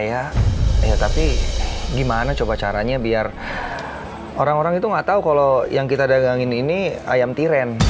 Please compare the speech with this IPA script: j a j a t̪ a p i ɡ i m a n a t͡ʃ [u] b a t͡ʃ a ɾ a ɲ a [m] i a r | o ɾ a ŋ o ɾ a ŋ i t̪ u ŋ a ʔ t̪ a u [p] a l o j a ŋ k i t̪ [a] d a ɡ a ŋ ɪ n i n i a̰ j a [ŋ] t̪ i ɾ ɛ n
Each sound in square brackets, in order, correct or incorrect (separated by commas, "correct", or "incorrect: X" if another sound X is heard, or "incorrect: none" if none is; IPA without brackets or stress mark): incorrect: o, incorrect: b, incorrect: k, correct, incorrect: m